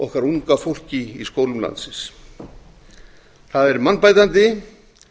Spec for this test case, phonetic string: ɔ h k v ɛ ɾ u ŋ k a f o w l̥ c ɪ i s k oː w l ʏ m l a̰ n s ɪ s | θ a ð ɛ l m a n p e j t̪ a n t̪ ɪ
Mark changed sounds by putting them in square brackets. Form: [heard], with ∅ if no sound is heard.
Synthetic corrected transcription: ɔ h k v [a] ɾ u ŋ k a f o w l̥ c ɪ i s k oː w l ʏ m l a̰ n s ɪ s | θ a ð ɛ [ɾ] m a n p [a] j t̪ a n t̪ ɪ

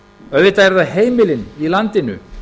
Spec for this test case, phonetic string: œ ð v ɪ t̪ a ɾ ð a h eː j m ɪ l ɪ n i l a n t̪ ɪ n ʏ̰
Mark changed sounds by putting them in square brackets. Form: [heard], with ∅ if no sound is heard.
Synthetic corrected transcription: œ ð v ɪ t̪ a ɾ ð a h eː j m ɪ l ɪ n i l a n t̪ ɪ n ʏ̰

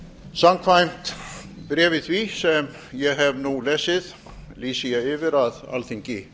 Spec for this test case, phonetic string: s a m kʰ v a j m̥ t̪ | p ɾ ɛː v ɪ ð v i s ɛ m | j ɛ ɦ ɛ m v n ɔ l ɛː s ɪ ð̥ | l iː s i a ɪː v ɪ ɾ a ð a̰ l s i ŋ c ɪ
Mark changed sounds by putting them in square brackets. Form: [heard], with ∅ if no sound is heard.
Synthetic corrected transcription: s a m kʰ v a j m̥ t̪ | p ɾ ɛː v ɪ [θ] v i s ɛ m | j ɛ ɦ ɛ [∅] v n [u] l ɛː s ɪ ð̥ | l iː s i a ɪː v ɪ ɾ a ð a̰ l [θ] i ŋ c ɪ

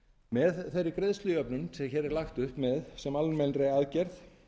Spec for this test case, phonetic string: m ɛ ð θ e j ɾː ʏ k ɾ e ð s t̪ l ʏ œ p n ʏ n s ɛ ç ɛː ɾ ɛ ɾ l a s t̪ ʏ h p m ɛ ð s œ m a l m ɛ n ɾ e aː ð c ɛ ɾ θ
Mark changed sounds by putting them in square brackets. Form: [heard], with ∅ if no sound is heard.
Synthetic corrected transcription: m ɛ ð θ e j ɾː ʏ k ɾ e ð s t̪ l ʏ œ p n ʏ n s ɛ ç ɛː ɾ ɛ ɾ l a [x] t̪ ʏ h p m ɛ ð s [ɛ] m a l m ɛ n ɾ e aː ð c ɛ ɾ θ

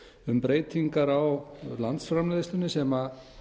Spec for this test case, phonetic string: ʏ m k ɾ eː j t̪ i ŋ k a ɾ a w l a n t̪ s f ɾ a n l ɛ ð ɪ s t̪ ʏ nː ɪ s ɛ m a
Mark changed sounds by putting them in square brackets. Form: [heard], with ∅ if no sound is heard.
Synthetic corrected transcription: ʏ m [p] ɾ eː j t̪ i ŋ k a ɾ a w l a n t̪ s f ɾ a [m] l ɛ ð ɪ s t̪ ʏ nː ɪ s ɛ m a

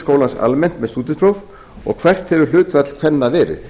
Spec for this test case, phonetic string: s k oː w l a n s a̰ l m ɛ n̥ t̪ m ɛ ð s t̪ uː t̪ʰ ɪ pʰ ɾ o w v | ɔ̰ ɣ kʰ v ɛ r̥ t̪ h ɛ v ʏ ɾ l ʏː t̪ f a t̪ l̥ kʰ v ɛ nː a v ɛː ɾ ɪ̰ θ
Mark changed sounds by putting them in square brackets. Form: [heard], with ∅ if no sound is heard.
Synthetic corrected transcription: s k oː w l a n s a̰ l m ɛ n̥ t̪ m ɛ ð s t̪ uː [t̪] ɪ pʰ ɾ o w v | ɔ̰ ɣ kʰ v ɛ r̥ t̪ h ɛ v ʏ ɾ l ʏː t̪ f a t̪ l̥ kʰ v ɛ nː a v ɛː ɾ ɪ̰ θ

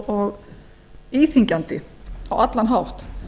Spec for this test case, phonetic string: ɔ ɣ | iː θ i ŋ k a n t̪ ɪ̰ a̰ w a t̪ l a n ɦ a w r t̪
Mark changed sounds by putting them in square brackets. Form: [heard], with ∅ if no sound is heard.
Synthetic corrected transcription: ɔ ɣ | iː θ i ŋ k a n t̪ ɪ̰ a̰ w a t̪ l a n ɦ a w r t̪

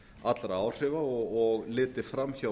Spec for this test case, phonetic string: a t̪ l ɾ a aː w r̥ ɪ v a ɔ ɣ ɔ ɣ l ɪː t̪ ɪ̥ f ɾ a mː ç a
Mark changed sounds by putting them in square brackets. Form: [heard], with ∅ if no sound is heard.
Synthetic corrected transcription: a t̪ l ɾ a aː w r̥ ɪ v a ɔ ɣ ɔ ɣ l ɪː t̪ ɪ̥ f ɾ a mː ç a

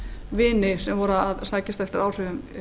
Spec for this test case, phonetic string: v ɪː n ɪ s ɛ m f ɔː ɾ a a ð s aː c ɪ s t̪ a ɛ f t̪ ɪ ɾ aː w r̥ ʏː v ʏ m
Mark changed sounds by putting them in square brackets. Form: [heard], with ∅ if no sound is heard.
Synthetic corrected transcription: v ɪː n ɪ s ɛ m [v] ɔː ɾ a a ð s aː c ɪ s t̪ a ɛ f t̪ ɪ ɾ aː w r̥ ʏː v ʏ m

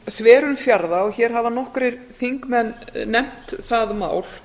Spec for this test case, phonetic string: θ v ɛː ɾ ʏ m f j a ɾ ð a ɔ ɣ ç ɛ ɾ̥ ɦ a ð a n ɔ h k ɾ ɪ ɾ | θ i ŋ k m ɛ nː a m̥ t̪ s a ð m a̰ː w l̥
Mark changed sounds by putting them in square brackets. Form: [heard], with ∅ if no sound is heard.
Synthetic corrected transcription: θ v ɛː ɾ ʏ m f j a ɾ ð a ɔ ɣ ç ɛ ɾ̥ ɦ a [v] a n ɔ h k ɾ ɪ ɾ | θ i ŋ k m ɛ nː [ɛ] m̥ t̪ [θ] a ð m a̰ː w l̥

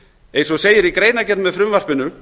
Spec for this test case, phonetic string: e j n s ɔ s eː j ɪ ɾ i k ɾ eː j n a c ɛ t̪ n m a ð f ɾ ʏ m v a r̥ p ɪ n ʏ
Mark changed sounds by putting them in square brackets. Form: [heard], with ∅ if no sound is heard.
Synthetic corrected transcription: e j n s ɔ s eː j ɪ ɾ i k ɾ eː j n a c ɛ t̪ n m [ɛ] ð f ɾ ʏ m v a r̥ p ɪ n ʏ

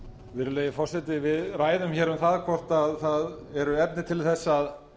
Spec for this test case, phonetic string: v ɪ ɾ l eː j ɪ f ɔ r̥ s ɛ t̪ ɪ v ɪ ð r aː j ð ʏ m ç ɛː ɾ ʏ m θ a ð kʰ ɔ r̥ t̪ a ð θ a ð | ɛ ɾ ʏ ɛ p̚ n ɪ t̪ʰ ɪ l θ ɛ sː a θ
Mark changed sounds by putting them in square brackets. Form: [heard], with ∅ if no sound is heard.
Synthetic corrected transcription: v ɪ ɾ l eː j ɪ f ɔ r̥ s ɛ t̪ ɪ v ɪ ð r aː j ð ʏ m ç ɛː ɾ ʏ m θ a ð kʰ ɔ r̥ t̪ a ð θ a ð | ɛ ɾ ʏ ɛ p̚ n ɪ t̪ʰ ɪ l θ ɛ sː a [ð]

